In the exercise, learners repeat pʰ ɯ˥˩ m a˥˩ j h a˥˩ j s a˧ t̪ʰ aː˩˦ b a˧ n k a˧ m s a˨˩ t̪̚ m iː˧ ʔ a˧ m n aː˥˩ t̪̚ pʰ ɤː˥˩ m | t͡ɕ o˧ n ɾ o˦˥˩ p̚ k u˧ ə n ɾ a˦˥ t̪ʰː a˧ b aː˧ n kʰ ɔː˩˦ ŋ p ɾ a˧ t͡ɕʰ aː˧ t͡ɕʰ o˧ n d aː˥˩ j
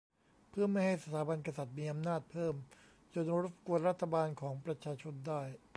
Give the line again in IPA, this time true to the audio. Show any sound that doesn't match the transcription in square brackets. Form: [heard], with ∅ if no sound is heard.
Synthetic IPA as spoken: pʰ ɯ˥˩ m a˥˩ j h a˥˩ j s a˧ t̪ʰ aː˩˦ b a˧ n k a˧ [∅] s a˨˩ t̪̚ m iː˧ ʔ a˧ m n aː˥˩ t̪̚ pʰ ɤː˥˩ m | t͡ɕ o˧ n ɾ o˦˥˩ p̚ k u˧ ə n ɾ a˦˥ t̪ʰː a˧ b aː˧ n kʰ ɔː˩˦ ŋ p ɾ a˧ t͡ɕʰ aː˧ t͡ɕʰ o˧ n d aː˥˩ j